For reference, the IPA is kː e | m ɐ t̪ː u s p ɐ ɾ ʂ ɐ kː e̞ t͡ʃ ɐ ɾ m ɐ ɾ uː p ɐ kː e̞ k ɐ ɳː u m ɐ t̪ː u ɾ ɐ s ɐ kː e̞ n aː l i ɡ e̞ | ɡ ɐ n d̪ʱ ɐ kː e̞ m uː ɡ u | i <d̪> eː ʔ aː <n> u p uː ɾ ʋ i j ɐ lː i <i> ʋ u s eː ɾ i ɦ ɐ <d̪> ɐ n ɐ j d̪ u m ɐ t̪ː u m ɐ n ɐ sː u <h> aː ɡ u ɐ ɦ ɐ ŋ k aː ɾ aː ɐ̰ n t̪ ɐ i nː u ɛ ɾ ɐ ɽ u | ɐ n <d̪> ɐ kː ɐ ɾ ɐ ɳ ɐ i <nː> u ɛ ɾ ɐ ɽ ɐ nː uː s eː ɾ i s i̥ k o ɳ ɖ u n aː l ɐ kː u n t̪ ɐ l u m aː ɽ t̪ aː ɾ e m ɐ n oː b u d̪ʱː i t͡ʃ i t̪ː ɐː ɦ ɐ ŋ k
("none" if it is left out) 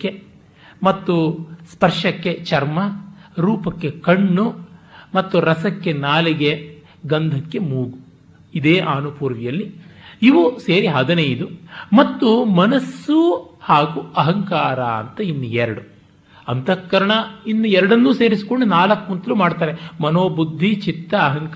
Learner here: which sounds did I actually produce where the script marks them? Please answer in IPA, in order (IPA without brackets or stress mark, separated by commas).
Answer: d̪, n, i, d̪, h, t̪, nː